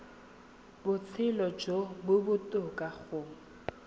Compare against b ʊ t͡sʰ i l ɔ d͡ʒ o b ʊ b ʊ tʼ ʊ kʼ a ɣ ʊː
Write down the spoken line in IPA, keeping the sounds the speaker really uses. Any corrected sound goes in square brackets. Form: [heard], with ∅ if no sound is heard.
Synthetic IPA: b ʊ t͡sʰ [ɪ] l ɔ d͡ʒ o b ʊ b ʊ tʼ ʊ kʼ a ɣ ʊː